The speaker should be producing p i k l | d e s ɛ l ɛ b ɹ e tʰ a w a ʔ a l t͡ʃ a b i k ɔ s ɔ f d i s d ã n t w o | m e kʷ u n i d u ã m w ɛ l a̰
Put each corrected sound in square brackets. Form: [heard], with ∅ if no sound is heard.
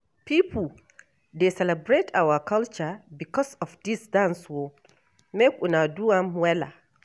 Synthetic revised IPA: p i [p] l | d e s ɛ l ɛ b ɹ e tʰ a w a [k] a l t͡ʃ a b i k ɔ s ɔ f d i s d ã n [s] w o | m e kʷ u n [a] d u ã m w ɛ l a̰